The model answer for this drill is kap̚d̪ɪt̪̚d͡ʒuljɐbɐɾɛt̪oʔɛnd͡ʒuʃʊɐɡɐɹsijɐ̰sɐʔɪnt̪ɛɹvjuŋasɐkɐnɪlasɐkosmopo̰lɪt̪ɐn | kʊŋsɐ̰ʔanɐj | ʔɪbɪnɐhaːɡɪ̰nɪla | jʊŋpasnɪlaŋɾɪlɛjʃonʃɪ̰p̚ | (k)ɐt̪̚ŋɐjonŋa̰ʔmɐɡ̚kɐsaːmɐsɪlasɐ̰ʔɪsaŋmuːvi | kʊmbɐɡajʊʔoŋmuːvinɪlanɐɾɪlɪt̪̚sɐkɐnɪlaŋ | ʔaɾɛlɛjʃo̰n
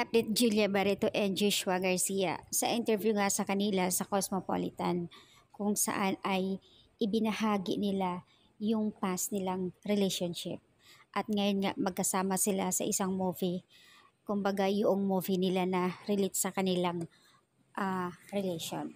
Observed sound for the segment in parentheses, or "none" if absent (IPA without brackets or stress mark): ʔ